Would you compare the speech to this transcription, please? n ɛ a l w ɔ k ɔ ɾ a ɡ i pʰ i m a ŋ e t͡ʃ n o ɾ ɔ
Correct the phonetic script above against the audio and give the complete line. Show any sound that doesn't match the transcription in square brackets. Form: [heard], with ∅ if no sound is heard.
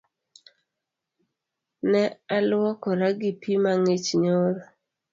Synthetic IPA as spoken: n ɛ a l w ɔ k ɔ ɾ a ɡ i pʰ i m a ŋ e t͡ʃ [ɲ] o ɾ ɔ